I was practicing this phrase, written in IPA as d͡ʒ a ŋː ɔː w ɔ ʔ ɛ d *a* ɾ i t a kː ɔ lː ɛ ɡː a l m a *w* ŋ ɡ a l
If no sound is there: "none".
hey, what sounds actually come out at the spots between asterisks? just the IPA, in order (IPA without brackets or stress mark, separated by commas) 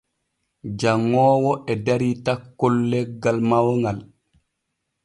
a, w